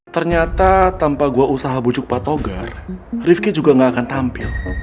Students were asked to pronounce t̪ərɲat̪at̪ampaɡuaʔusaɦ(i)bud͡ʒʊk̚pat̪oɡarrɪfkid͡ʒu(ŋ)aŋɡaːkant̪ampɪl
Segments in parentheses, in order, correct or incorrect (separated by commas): incorrect, incorrect